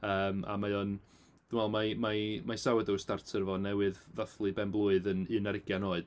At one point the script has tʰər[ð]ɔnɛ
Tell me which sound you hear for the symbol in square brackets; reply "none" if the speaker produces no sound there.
v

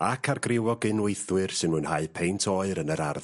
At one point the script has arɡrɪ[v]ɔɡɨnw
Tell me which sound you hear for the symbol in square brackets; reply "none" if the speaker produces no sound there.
w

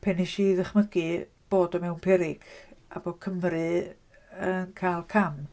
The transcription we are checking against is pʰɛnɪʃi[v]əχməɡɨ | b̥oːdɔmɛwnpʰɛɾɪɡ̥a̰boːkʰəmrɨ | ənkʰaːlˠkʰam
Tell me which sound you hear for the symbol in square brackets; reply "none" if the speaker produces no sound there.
ð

